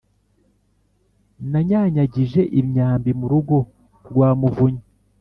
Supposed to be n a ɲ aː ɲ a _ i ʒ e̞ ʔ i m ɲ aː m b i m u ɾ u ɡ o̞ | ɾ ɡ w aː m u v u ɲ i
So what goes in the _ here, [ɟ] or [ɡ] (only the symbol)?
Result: ɟ